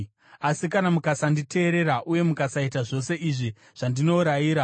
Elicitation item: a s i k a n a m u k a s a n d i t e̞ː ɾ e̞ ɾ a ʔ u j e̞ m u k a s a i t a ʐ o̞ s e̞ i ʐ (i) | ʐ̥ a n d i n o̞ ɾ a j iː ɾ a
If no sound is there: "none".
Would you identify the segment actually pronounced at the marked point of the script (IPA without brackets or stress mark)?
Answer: i